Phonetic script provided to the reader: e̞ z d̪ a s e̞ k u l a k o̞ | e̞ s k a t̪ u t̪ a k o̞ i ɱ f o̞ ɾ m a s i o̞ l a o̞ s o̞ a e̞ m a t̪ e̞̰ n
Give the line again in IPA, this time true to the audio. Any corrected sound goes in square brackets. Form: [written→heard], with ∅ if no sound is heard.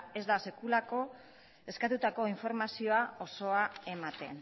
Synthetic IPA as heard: e̞ z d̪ a s e̞ k u l a k o̞ | e̞ s k a t̪ u t̪ a k o̞ i ɱ f o̞ ɾ m a s i o̞ [l→∅] a o̞ s o̞ a e̞ m a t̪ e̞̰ n